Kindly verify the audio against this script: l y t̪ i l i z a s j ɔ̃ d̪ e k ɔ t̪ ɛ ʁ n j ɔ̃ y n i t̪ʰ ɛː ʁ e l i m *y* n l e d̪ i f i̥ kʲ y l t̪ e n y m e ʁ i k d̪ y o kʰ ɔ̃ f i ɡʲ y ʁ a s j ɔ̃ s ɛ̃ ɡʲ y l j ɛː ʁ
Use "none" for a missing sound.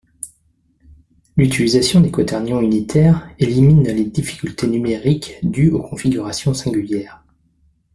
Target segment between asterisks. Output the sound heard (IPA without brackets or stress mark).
i